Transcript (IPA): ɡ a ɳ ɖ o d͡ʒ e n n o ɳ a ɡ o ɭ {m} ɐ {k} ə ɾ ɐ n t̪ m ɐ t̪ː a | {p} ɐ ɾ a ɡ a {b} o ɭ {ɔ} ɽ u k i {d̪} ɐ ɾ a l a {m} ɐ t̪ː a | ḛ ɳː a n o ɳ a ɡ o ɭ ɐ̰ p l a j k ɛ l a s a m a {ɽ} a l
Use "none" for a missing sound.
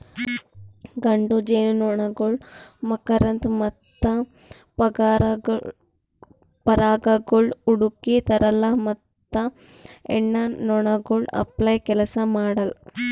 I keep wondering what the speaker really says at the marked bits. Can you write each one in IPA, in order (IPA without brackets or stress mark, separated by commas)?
m, k, p, ɡ, u, t̪, m, ɽ